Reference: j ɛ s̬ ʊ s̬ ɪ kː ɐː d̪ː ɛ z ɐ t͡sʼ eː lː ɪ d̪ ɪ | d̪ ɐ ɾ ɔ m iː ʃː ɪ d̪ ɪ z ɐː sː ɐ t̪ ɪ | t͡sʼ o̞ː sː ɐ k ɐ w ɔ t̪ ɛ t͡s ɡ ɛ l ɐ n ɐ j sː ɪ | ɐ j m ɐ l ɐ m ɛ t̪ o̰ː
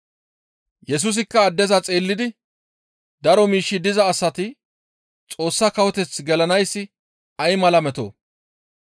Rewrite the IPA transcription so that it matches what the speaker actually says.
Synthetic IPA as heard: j ɛ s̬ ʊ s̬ ɪ kː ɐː d̪ː ɛ z ɐ t͡sʼ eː lː ɪ d̪ ɪ | d̪ ɐ ɾ ɔ m iː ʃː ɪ d̪ ɪ z ɐː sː ɐ t̪ ɪ | t͡sʼ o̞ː sː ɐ k ɐ w ɔ t̪ ɛ t͡s ɡ ɛ l ɐ n ɐ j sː ɪ | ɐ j m ɐ l ɐ m ɛ t̪ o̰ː